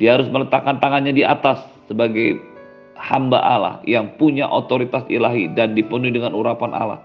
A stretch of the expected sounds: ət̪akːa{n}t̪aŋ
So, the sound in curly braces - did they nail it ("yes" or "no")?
yes